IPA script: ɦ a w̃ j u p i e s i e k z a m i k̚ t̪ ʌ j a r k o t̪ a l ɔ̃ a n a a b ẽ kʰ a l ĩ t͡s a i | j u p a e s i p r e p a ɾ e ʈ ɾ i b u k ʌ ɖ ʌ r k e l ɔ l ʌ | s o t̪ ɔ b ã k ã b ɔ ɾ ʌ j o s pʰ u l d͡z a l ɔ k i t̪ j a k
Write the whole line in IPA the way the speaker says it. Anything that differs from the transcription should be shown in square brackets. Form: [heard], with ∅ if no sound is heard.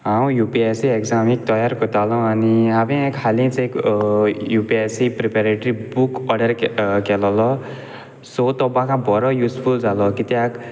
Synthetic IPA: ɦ a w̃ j u p i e s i e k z a m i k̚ t̪ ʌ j a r k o t̪ a l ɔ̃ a n [i] a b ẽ kʰ a l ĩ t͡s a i | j u p [i] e s i p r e p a ɾ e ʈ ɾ i b u k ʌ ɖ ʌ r k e l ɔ l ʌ | s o t̪ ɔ b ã k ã b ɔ ɾ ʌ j [u] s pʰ u l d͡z a l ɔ k i t̪ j a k